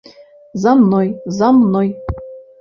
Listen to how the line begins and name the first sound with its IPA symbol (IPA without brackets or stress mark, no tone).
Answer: z